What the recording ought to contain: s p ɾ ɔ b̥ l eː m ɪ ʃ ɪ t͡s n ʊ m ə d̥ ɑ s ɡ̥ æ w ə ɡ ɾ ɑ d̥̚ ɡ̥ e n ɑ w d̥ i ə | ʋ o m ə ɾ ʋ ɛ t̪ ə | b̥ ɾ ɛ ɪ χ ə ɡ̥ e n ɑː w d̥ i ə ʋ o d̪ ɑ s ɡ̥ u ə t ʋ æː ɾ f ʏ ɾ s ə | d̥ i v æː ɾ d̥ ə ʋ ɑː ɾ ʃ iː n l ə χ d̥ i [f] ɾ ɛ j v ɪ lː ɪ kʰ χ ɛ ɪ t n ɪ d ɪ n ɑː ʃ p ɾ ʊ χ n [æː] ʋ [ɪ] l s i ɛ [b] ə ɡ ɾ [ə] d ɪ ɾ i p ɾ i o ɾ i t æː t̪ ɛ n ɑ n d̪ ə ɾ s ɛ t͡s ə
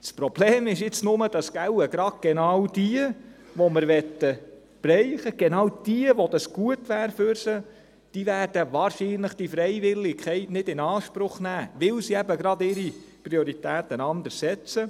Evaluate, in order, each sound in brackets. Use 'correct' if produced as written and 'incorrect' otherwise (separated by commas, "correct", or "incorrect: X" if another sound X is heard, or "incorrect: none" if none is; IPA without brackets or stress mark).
correct, correct, correct, correct, incorrect: ɑ